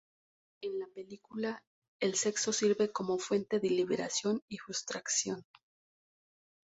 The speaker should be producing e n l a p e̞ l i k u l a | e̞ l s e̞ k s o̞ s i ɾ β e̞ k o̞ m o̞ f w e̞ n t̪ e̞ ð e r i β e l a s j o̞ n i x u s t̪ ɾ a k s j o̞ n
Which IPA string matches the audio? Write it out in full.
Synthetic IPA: e n l a p e̞ l i k u l a | e̞ l s e̞ k s o̞ s i ɾ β e̞ k o̞ m o̞ f w e̞ n t̪ e̞ ð e l i β e ɾ a s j o̞ n i x u s t̪ ɾ a k s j o̞ n